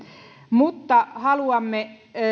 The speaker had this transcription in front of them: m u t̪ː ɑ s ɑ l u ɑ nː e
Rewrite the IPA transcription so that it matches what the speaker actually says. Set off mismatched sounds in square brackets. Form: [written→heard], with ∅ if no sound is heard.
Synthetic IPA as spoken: m u t̪ː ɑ [s→h] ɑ l u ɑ [nː→mː] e